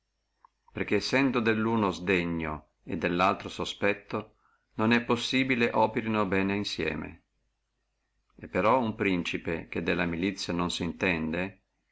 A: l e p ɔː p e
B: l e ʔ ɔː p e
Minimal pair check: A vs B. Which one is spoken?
B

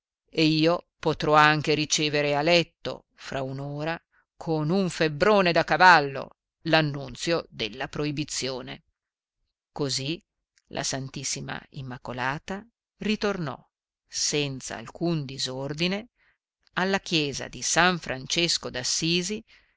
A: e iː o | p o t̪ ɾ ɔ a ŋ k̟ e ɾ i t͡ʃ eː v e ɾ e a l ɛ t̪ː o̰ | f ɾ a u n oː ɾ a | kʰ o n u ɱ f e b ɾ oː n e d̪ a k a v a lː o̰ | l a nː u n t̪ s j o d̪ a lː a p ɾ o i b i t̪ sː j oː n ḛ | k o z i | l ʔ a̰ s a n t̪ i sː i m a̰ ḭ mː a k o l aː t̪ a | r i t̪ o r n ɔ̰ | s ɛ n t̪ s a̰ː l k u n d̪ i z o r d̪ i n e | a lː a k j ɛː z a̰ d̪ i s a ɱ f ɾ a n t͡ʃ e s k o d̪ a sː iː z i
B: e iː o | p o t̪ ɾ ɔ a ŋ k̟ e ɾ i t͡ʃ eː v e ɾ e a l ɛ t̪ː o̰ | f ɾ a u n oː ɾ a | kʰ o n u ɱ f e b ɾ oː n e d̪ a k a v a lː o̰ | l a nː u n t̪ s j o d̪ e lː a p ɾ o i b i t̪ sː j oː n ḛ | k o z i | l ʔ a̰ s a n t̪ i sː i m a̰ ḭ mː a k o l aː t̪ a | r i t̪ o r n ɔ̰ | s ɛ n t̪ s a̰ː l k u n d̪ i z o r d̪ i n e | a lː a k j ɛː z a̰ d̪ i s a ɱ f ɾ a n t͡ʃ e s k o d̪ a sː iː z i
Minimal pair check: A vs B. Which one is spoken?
B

